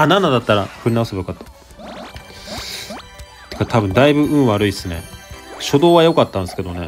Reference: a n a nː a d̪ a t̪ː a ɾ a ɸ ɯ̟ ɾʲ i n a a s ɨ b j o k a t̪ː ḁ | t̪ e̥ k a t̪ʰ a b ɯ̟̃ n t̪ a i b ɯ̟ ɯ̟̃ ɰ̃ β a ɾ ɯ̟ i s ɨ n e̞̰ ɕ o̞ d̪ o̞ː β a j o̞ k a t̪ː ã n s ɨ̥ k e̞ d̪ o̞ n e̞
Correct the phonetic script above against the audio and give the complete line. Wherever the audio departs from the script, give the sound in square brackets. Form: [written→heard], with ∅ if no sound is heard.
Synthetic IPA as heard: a n a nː a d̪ a t̪ː a ɾ a ɸ ɯ̟ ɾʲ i n a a s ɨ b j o k a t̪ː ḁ | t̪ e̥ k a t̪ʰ a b ɯ̟̃ n [t̪→d̪] a i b ɯ̟ ɯ̟̃ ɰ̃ β a ɾ ɯ̟ i s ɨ n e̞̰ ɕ o̞ d̪ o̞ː β a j o̞ k a t̪ː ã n s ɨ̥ k e̞ d̪ o̞ n e̞